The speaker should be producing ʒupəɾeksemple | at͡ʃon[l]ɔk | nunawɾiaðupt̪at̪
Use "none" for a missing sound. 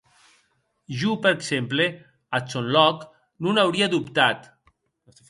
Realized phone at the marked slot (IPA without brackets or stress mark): l